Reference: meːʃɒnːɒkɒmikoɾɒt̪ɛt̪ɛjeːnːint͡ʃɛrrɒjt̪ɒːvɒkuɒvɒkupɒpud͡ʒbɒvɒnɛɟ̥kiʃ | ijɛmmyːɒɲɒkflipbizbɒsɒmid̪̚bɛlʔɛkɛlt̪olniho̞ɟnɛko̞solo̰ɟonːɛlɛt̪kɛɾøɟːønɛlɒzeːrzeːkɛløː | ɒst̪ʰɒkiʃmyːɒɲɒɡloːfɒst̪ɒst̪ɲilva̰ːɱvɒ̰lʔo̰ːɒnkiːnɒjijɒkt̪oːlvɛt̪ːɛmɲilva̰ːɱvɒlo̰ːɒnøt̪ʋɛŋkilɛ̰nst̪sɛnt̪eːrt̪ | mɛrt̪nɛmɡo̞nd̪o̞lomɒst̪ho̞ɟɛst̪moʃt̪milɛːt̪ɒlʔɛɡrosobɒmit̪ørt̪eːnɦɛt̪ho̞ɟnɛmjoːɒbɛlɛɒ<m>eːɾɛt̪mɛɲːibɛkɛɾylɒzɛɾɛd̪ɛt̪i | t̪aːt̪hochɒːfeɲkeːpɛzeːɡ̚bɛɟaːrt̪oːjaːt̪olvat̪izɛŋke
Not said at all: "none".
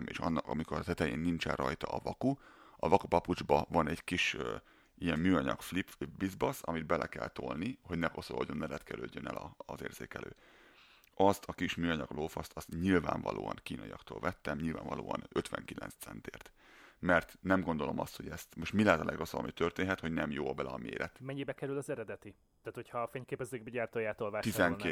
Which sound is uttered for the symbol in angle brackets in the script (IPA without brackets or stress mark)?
m